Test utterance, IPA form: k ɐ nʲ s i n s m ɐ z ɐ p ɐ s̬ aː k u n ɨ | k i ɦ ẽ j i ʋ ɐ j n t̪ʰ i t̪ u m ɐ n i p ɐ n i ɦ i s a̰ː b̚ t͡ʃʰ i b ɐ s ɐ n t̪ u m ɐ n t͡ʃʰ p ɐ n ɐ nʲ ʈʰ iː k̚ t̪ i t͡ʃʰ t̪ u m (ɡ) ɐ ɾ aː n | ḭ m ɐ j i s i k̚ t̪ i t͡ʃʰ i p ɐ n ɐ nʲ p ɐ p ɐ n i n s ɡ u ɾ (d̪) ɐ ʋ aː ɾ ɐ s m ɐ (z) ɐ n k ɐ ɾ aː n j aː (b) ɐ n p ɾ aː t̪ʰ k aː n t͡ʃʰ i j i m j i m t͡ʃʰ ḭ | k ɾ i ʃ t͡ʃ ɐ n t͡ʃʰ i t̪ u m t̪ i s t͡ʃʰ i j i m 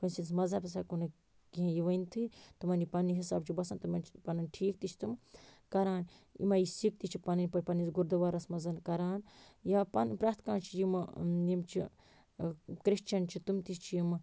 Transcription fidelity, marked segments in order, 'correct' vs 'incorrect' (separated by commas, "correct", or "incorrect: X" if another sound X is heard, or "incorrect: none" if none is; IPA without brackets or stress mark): incorrect: k, correct, correct, incorrect: p